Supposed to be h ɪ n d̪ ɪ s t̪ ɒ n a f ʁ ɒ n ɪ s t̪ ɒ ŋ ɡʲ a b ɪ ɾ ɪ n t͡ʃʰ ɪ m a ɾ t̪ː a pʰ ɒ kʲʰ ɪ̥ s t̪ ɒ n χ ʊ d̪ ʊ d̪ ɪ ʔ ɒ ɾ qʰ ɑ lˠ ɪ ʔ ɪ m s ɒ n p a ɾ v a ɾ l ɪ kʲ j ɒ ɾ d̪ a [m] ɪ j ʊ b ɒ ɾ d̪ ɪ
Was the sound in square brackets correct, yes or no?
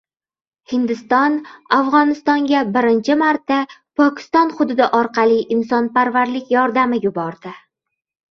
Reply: yes